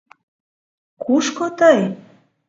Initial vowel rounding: rounded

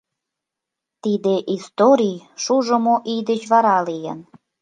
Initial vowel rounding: unrounded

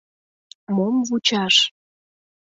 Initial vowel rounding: rounded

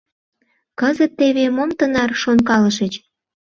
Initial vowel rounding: unrounded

